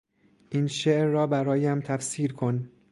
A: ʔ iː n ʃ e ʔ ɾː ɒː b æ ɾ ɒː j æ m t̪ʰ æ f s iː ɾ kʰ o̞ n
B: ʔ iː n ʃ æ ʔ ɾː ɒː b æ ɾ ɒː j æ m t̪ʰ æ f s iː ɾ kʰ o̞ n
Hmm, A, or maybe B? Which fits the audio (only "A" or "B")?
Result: A